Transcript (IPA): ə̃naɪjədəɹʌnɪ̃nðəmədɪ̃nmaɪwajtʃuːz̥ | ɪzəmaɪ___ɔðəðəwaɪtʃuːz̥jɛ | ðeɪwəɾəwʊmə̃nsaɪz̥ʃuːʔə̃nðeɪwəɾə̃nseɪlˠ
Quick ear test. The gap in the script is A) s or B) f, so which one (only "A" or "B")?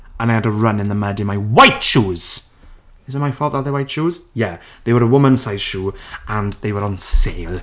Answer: B